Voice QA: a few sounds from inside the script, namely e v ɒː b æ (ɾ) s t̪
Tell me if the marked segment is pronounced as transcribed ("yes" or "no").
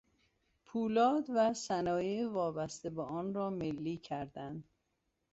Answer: no